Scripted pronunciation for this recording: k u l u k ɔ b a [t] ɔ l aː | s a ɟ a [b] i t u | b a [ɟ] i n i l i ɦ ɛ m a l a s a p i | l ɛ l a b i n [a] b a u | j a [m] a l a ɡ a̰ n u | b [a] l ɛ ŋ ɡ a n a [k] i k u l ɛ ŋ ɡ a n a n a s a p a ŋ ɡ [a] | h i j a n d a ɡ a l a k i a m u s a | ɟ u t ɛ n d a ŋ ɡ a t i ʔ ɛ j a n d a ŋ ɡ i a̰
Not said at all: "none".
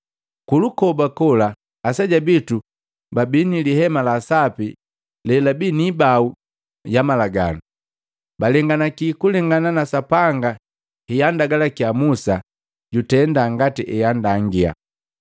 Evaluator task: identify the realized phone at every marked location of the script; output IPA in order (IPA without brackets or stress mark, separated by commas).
k, b, b, i, m, a, k, a